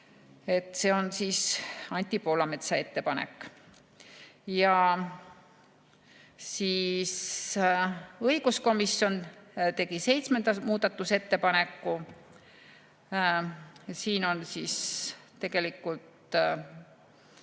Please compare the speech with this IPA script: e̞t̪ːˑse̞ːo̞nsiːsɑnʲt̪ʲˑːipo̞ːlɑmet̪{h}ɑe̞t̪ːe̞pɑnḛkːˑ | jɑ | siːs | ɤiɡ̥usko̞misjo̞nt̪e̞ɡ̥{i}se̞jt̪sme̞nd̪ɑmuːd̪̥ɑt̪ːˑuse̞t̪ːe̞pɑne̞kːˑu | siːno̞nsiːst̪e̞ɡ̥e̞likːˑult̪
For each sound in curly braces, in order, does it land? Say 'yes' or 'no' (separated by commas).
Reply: no, yes